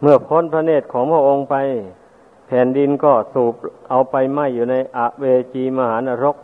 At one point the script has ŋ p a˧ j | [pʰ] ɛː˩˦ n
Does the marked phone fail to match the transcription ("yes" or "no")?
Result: no